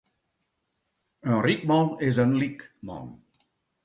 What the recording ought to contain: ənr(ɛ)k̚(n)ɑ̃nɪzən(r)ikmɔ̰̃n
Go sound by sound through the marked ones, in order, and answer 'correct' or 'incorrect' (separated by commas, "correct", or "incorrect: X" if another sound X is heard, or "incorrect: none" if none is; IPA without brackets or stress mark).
incorrect: i, incorrect: m, incorrect: l